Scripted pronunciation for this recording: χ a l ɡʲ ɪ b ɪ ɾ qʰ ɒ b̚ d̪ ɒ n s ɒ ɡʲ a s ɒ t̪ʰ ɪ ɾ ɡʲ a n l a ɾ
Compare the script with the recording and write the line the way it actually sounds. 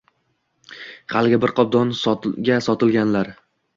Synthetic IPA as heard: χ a l ɡʲ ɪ b ɪ ɾ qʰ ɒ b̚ d̪ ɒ n s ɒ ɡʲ a s ɒ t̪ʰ ɪ l ɡʲ a n l a ɾ